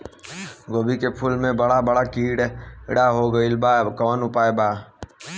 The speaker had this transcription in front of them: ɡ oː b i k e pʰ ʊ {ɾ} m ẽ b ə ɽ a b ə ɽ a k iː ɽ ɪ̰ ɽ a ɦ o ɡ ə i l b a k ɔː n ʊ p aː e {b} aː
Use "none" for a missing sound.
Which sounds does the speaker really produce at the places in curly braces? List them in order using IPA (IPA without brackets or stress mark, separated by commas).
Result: l, b